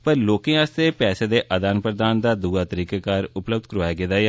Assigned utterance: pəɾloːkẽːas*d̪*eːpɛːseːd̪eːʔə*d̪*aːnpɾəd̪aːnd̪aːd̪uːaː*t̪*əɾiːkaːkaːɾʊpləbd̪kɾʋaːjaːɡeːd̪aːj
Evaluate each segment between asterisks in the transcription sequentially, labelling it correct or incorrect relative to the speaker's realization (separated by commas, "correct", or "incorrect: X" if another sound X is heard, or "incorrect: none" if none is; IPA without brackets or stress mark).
incorrect: t̪, correct, correct